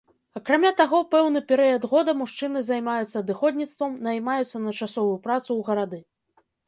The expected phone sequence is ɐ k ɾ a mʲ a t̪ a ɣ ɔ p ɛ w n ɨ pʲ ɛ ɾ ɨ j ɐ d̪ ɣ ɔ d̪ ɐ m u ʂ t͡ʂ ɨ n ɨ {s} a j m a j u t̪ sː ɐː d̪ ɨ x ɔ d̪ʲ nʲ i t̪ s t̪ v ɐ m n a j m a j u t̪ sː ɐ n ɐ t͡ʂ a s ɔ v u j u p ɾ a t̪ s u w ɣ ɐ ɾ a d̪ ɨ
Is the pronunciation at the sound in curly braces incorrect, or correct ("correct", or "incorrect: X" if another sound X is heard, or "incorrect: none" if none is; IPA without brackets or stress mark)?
incorrect: z